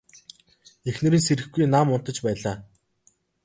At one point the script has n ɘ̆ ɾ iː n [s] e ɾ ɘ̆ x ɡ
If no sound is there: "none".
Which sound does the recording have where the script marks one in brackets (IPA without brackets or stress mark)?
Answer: s